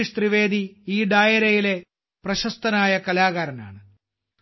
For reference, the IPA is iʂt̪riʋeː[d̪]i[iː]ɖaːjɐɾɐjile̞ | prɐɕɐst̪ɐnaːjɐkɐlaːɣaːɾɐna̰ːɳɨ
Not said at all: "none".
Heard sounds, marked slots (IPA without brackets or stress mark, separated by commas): d̪, iː